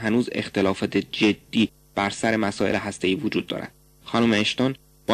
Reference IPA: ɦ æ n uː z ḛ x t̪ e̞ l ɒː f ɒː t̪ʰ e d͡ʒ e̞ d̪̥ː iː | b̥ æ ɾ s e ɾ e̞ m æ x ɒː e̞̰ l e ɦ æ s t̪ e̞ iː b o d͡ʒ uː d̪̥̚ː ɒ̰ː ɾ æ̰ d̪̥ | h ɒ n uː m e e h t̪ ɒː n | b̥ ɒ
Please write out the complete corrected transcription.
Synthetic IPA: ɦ æ n uː z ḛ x t̪ e̞ l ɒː f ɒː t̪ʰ e d͡ʒ e̞ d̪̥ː iː | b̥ æ ɾ s æ ɾ e̞ m æ s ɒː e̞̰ l e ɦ æ s t̪ e̞ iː v o d͡ʒ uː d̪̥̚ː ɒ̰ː ɾ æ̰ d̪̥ | x ɒ n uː m e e ʃ t̪ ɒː n | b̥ ɒ